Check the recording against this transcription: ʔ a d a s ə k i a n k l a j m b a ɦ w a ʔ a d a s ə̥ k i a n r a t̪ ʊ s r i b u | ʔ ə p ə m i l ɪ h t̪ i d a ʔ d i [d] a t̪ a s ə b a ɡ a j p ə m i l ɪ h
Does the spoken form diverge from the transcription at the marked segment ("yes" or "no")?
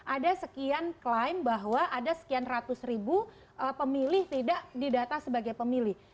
no